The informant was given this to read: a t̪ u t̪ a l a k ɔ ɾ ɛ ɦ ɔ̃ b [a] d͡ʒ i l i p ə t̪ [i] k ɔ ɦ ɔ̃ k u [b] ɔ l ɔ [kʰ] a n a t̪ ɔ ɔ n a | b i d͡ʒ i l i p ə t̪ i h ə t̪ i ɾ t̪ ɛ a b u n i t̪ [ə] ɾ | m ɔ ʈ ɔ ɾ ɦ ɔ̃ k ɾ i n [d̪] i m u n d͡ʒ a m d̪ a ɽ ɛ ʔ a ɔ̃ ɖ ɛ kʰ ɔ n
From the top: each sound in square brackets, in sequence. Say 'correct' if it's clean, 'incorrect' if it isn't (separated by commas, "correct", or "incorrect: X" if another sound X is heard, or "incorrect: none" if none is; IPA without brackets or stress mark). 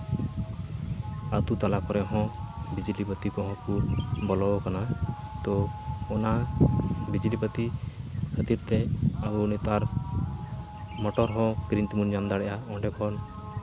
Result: incorrect: i, correct, correct, incorrect: k, incorrect: a, incorrect: t̪